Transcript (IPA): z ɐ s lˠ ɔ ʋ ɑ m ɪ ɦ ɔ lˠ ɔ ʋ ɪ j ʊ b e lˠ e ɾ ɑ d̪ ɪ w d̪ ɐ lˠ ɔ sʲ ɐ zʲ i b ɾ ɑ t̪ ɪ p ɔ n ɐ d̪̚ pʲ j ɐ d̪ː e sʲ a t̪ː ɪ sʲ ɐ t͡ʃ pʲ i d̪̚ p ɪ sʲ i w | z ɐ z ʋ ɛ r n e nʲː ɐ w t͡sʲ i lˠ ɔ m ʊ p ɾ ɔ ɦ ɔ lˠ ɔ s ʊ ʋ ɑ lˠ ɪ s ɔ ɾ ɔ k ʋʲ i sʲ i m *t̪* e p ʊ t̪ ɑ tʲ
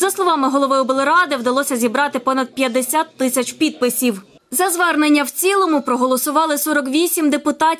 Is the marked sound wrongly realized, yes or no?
yes